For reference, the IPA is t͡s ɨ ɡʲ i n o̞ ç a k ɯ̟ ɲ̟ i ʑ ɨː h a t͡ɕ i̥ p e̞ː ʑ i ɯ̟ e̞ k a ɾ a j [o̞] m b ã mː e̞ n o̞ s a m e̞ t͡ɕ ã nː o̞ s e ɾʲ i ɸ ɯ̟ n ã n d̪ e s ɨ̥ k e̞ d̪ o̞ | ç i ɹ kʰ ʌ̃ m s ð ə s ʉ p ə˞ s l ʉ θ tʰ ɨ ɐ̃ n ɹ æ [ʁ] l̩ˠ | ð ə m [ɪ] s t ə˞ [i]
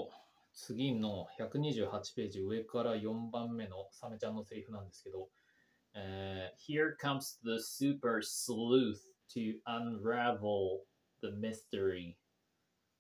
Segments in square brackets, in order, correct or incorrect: incorrect: õ̞, incorrect: v, correct, correct

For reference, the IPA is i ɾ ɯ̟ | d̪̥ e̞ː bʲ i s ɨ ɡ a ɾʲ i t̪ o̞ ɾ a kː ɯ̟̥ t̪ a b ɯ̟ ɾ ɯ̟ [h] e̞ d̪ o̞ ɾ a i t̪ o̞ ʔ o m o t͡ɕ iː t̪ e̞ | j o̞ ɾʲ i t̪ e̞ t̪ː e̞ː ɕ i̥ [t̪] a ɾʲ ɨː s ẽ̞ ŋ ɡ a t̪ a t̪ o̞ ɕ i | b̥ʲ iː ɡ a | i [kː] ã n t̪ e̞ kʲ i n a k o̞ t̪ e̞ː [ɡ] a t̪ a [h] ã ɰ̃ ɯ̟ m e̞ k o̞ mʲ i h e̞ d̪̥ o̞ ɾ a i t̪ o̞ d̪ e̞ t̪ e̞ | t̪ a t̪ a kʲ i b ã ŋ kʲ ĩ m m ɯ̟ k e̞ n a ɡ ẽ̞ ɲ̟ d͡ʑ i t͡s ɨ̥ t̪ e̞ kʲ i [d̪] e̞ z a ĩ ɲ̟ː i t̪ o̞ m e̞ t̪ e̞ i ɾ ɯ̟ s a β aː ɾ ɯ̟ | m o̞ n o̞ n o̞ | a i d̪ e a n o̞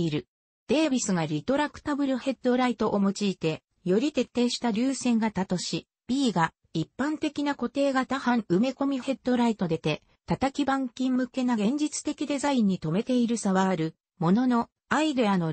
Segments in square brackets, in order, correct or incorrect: correct, correct, incorrect: pː, correct, correct, correct

